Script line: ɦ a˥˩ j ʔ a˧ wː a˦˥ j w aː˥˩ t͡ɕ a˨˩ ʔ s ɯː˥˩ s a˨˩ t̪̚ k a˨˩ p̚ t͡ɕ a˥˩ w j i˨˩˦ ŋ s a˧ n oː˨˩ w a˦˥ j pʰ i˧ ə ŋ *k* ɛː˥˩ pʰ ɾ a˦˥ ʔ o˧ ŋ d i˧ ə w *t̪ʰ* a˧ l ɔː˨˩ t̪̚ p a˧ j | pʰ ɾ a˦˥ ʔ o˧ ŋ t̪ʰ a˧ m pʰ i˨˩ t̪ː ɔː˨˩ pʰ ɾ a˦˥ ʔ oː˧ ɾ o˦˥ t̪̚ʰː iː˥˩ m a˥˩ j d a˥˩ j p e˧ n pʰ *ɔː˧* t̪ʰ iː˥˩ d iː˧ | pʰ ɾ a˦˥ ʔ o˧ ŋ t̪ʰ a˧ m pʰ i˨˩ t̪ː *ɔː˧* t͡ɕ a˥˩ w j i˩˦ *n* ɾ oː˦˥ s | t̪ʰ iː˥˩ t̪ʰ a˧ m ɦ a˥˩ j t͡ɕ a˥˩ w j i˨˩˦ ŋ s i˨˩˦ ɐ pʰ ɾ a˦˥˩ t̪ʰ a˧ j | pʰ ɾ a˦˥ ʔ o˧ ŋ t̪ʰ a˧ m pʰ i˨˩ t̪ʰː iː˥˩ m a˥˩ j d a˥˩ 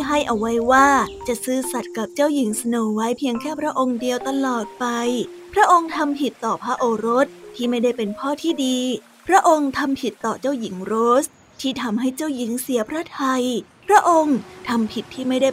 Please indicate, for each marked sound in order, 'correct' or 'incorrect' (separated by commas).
incorrect, incorrect, incorrect, incorrect, incorrect